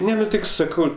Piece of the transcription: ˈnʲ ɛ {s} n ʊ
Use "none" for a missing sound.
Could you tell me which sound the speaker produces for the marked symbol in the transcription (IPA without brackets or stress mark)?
none